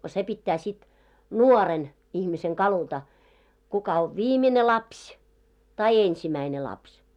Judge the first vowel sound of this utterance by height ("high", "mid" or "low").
mid